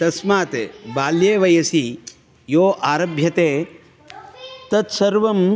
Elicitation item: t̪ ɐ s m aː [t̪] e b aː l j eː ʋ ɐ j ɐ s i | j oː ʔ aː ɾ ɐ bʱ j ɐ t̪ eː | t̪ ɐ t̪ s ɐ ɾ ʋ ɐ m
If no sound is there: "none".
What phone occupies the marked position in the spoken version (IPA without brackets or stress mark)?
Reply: t̪